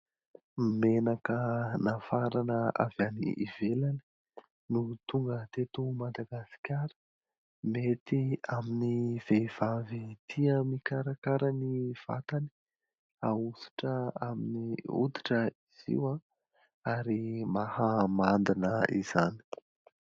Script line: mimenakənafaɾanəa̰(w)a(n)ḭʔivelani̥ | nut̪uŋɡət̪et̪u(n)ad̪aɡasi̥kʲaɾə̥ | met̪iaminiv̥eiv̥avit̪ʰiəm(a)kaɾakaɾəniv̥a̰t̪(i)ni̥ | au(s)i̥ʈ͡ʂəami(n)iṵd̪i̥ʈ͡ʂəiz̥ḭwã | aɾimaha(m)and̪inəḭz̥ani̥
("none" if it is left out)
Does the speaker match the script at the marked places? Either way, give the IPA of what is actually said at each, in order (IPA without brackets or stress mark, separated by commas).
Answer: v, n, m, i, a, s, n, m